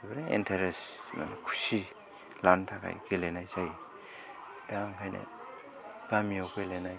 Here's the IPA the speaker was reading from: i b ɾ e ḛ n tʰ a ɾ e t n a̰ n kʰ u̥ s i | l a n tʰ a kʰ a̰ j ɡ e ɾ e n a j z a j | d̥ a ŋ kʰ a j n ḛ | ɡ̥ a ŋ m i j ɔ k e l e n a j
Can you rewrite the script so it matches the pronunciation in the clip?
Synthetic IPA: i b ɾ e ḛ n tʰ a ɾ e s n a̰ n kʰ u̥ s i | l a n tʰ a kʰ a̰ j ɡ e l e n a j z a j | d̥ a ŋ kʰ a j n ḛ | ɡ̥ a m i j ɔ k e l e n a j